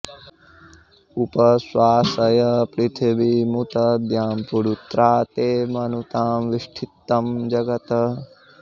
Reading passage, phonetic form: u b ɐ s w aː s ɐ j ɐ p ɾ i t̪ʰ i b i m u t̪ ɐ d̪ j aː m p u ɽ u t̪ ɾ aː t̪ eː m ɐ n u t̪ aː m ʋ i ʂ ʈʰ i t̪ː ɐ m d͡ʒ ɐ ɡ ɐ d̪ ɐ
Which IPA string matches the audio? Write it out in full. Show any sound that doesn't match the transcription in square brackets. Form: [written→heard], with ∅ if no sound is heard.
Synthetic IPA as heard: u [b→p] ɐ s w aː s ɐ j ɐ p ɾ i t̪ʰ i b i m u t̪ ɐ d̪ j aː m p u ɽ u t̪ ɾ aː t̪ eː m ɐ n u t̪ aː m ʋ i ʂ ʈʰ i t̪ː ɐ m d͡ʒ ɐ ɡ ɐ [d̪→t̪] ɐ